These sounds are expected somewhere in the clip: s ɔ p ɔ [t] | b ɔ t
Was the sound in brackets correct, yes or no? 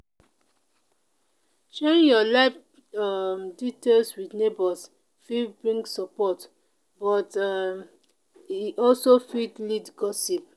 yes